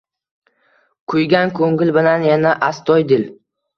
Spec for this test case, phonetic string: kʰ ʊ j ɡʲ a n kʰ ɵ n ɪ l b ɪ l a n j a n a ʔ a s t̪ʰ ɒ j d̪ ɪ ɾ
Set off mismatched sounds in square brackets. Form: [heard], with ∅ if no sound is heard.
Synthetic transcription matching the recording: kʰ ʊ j ɡʲ a n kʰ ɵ [ŋ] ɪ l b ɪ l a n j a n a ʔ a s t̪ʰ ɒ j d̪ ɪ [l]